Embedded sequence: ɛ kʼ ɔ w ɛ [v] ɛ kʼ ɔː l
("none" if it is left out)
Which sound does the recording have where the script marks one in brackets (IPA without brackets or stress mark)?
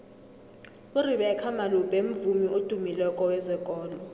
z